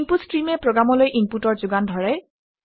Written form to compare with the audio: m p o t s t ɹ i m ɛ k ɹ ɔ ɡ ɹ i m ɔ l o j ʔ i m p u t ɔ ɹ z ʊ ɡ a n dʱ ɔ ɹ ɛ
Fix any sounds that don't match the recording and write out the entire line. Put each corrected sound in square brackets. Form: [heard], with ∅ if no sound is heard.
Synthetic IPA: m p [u] t s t ɹ i m ɛ [p] ɹ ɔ ɡ ɹ [a] m ɔ l o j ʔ i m p u t ɔ ɹ z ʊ ɡ a n dʱ ɔ ɹ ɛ